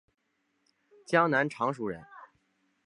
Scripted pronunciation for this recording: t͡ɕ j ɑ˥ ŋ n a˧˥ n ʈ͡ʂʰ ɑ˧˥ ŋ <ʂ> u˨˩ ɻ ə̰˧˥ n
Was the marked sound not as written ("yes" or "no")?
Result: no